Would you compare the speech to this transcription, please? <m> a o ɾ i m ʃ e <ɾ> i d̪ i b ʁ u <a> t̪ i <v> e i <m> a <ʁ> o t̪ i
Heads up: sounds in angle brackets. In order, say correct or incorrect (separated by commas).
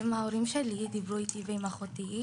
correct, incorrect, incorrect, correct, correct, incorrect